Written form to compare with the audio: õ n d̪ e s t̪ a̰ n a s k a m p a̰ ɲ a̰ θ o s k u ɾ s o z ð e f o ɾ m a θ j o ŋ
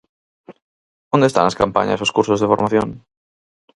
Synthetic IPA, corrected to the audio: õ n d̪ e s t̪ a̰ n a s k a m p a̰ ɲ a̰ s o s k u ɾ s o z ð e f o ɾ m a θ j o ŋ